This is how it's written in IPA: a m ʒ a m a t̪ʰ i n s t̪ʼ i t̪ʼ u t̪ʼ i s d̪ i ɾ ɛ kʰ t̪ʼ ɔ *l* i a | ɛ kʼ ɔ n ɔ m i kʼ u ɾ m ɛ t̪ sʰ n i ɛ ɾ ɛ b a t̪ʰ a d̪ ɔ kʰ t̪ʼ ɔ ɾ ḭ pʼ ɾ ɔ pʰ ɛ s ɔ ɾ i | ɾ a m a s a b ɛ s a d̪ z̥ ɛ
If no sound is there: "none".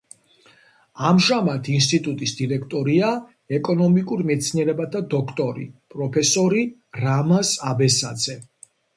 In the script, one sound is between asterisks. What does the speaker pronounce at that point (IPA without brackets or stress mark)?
ɾ